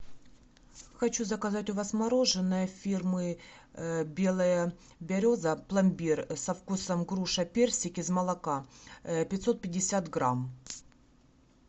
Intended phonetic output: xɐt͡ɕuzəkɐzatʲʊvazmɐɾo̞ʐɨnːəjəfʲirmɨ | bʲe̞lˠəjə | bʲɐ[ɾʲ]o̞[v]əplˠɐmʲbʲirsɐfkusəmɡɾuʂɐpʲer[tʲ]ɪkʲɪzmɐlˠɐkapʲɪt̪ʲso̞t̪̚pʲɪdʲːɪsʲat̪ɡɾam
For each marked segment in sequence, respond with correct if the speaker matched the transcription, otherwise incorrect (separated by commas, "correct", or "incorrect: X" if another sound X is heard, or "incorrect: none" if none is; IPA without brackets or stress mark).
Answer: correct, incorrect: z, incorrect: sʲ